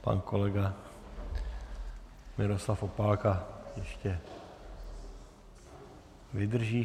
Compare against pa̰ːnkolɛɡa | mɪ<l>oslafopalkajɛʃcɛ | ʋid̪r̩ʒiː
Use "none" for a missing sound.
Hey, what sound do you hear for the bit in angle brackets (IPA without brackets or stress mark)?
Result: ɾ